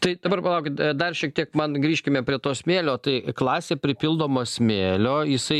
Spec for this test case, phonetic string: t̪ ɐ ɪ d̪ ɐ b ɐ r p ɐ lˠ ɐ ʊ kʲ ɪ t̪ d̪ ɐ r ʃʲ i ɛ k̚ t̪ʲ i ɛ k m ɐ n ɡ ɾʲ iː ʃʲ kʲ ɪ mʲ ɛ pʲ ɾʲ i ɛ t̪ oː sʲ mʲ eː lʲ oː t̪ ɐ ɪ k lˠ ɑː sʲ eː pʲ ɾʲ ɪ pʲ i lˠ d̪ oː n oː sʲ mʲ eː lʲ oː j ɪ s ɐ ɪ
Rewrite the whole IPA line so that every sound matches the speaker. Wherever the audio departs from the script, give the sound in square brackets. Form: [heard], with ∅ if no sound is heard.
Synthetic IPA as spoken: t̪ ɐ ɪ d̪ ɐ b ɐ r p ɐ lˠ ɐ ʊ kʲ ɪ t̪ d̪ ɐ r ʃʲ i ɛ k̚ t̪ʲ i ɛ k m ɐ n ɡ ɾʲ iː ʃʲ kʲ ɪ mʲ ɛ pʲ ɾʲ i ɛ t̪ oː sʲ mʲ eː lʲ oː t̪ ɐ ɪ k lˠ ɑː sʲ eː pʲ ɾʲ ɪ pʲ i lˠ d̪ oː [m] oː sʲ mʲ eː lʲ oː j ɪ s ɐ ɪ